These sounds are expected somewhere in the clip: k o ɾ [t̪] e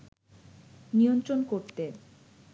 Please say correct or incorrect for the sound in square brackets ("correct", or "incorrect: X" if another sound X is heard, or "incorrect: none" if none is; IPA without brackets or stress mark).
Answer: correct